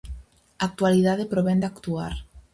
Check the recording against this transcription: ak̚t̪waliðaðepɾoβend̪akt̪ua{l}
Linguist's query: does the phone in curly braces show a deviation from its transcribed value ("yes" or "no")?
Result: yes